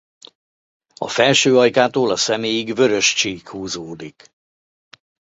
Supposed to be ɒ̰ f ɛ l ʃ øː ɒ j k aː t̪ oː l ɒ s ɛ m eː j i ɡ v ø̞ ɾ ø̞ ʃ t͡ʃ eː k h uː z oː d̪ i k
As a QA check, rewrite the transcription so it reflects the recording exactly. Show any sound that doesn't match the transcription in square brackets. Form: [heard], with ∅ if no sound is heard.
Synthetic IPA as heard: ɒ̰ f ɛ l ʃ øː ɒ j k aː t̪ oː l ɒ s ɛ m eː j i ɡ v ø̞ ɾ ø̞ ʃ t͡ʃ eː k h uː z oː d̪ i k